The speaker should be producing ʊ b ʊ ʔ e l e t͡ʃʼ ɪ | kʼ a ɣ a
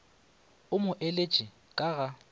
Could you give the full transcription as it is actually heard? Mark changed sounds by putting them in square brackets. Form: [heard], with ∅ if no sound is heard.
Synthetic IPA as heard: ʊ [m] ʊ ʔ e l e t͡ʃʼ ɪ | kʼ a ɣ a